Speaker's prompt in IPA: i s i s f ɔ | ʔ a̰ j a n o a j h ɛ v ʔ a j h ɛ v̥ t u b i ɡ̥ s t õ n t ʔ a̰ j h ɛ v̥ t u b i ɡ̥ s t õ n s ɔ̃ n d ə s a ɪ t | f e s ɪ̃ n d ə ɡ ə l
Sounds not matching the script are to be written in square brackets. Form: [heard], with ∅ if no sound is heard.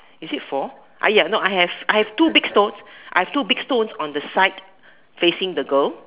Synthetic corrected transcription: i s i [t] f ɔ | ʔ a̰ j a n o a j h ɛ v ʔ a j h ɛ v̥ t u b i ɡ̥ s t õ n [s] ʔ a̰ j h ɛ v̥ t u b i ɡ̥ s t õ n s ɔ̃ n d ə s a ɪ t | f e s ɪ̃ [ŋ] d ə ɡ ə l